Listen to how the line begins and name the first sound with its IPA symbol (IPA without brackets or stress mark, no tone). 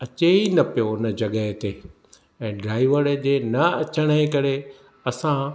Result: ɐ